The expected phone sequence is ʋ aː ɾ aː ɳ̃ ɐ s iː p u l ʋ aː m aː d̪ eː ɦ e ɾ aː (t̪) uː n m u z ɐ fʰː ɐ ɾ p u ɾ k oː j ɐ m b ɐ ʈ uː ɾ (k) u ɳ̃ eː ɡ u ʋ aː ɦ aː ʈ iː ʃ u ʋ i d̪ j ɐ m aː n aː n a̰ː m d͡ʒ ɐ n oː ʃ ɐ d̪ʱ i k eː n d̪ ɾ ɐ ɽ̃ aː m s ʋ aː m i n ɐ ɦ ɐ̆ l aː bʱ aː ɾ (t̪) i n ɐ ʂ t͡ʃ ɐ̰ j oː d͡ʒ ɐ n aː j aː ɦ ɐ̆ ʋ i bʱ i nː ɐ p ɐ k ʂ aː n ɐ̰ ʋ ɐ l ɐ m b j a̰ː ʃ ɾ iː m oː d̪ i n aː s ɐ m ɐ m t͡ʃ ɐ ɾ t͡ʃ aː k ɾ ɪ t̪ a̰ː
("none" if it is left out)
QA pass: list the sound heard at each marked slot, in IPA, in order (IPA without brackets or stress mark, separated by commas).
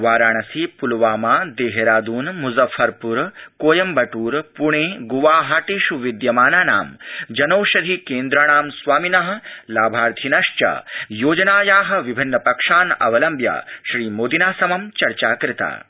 d̪, p, t̪ʰ